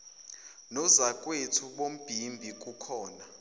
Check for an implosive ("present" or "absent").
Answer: present